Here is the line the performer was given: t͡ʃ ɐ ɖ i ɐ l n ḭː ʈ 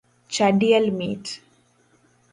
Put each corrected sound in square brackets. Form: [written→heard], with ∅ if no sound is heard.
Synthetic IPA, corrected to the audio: t͡ʃ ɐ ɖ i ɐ l [n→m] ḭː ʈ